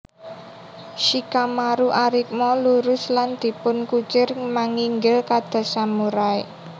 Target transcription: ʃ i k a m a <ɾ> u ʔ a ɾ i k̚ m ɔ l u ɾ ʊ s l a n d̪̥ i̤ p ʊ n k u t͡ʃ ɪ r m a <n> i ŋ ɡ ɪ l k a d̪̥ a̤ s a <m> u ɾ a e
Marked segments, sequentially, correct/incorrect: correct, incorrect: ŋ, correct

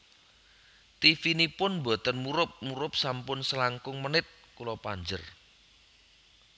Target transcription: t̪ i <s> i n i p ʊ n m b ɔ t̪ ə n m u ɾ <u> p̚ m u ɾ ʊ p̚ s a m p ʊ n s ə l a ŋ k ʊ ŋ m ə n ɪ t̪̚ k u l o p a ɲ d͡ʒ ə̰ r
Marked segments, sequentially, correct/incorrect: incorrect: f, incorrect: ʊ

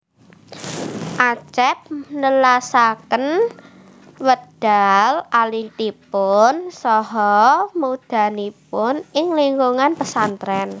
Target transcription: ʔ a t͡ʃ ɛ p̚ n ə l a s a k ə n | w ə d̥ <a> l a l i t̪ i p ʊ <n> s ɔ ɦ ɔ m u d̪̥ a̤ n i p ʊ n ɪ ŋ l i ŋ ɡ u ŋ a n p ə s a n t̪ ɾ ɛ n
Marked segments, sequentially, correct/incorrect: correct, correct

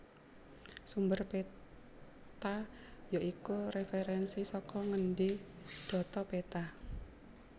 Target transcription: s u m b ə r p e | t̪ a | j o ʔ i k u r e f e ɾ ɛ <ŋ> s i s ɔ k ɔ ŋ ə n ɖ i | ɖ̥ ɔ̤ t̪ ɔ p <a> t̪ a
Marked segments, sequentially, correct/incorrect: incorrect: n, incorrect: e

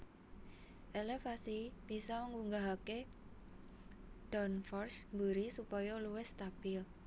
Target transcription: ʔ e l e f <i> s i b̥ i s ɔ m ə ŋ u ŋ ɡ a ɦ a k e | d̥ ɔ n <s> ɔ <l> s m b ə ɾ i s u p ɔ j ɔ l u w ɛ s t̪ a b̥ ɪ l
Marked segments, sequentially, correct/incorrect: incorrect: a, incorrect: f, incorrect: r

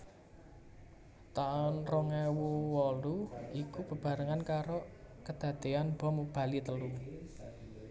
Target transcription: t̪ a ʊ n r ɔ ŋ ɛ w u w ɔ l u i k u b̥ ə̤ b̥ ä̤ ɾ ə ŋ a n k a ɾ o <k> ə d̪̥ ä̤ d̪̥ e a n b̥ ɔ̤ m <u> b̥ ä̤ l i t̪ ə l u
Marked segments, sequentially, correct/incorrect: correct, correct

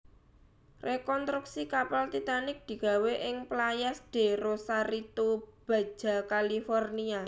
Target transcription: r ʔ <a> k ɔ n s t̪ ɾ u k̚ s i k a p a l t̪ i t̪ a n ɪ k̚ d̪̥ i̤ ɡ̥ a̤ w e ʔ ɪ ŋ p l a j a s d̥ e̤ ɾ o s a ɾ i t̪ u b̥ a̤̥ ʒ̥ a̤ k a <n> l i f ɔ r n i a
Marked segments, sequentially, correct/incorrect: incorrect: e, incorrect: none

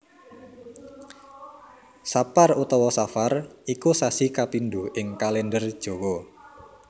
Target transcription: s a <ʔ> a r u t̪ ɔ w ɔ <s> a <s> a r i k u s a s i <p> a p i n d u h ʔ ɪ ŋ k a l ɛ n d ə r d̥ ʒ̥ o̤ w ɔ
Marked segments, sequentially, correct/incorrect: incorrect: p, correct, incorrect: f, incorrect: k

